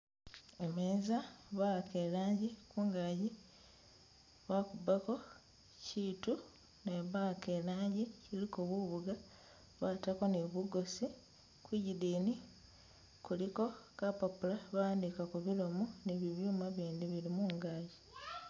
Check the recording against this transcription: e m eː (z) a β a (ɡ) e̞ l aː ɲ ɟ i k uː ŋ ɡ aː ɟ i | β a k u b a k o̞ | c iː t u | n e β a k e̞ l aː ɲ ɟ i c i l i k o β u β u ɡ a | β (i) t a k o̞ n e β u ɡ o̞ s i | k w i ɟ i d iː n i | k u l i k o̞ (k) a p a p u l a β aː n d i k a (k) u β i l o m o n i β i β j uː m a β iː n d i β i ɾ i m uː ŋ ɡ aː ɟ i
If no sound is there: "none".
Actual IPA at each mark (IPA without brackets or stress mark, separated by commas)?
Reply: z, k, a, k, k